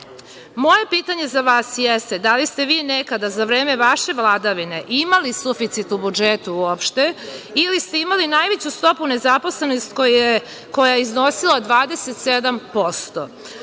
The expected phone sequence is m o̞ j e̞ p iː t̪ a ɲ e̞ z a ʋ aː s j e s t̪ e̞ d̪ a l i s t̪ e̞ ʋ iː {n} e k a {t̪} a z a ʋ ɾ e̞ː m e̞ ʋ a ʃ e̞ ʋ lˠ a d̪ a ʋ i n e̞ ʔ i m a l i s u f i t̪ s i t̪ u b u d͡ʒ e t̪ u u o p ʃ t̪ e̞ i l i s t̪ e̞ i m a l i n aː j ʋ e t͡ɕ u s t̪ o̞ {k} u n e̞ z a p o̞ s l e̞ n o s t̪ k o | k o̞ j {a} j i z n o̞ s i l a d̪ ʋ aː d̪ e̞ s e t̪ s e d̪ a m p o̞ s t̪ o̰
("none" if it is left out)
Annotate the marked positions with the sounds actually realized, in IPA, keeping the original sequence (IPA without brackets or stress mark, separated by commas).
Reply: n, d̪, p, a